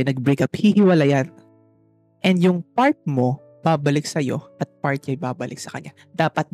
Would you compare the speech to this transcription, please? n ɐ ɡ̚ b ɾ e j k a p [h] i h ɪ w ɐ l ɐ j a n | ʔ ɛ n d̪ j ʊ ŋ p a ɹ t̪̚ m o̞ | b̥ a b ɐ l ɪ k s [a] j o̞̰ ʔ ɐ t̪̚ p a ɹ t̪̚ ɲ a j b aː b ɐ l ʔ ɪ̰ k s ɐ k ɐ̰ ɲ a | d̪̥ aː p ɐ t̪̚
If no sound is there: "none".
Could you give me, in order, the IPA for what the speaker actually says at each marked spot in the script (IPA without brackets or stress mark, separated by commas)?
h, ɐ